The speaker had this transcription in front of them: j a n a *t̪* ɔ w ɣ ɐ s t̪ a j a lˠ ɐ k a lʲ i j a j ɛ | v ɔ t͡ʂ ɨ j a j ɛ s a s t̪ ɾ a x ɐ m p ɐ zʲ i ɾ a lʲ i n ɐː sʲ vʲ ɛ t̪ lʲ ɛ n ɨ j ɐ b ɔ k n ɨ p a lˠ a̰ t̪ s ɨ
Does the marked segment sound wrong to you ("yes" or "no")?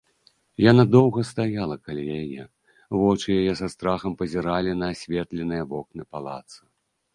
yes